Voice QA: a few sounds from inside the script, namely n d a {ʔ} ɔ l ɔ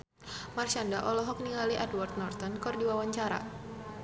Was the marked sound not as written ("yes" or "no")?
no